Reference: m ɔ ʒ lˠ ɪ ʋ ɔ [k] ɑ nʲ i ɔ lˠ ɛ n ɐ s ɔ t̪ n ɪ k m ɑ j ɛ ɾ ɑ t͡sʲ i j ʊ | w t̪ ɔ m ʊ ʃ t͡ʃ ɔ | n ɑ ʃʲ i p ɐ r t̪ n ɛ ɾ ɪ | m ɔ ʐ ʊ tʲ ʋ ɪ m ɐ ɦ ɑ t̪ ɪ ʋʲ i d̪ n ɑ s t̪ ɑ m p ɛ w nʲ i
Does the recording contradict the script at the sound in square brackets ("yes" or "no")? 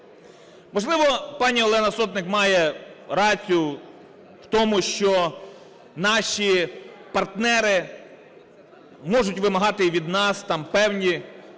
yes